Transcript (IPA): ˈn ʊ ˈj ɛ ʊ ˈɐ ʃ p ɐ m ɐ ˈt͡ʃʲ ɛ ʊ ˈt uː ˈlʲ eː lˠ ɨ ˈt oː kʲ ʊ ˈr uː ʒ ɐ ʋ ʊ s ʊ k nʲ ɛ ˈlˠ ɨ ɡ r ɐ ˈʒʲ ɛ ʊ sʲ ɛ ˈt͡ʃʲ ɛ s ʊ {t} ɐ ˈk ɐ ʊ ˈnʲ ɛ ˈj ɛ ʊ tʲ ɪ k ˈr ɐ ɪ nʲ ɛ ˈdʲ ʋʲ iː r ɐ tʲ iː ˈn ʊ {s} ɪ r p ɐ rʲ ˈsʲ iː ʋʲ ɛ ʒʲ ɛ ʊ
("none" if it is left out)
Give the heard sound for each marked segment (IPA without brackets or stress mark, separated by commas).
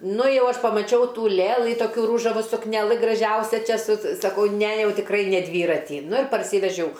s, none